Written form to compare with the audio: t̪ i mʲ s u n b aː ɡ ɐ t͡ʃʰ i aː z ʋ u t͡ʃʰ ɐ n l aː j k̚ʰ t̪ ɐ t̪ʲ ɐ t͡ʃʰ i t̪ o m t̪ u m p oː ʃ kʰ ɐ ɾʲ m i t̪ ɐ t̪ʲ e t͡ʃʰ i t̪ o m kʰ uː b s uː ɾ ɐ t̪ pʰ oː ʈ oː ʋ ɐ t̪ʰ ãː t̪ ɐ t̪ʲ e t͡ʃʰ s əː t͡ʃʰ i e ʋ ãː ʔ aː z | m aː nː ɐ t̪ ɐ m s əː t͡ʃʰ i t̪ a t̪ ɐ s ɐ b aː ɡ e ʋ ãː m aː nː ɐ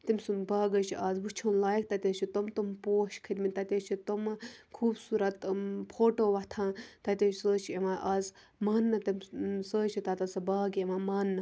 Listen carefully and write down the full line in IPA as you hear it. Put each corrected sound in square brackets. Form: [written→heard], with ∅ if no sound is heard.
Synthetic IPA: t̪ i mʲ s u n b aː ɡ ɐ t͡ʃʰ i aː z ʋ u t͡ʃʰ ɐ n l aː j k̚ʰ t̪ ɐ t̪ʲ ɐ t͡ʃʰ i t̪ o m t̪ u m p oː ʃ kʰ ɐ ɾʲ m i t̪ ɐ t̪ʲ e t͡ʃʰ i t̪ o m kʰ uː b s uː ɾ ɐ t̪ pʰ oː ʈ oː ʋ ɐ t̪ʰ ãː t̪ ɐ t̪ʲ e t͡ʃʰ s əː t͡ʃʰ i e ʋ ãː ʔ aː z | m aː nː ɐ t̪ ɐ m s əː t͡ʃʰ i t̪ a t̪ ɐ s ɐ b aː ɡ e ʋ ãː m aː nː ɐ